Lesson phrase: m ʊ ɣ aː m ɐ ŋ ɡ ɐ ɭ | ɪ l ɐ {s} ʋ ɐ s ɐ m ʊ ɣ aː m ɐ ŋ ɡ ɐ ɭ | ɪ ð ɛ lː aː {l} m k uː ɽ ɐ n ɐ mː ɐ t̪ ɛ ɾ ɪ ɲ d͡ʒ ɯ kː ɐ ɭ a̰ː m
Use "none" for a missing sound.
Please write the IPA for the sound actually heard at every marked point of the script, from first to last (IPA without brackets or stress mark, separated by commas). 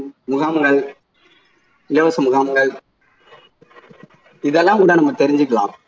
none, none